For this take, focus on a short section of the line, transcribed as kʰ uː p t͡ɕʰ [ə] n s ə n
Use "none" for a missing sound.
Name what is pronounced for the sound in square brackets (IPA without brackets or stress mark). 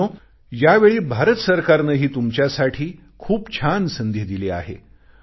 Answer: a